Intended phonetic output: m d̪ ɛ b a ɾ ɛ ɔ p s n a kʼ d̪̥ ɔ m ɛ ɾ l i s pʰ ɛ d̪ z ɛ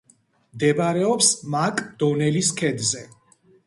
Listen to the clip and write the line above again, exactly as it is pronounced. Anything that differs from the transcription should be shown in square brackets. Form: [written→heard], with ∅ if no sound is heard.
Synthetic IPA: m d̪ ɛ b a ɾ ɛ ɔ p s [n→m] a kʼ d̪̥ ɔ [m→n] ɛ [ɾ→∅] l i s [pʰ→kʰ] ɛ d̪ z ɛ